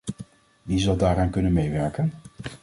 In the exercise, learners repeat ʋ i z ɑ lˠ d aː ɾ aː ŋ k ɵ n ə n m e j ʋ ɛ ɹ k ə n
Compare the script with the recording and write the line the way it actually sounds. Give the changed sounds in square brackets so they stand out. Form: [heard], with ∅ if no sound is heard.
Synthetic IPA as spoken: ʋ i z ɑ lˠ d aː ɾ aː [n] k ɵ n ə n m e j ʋ ɛ ɹ k ə n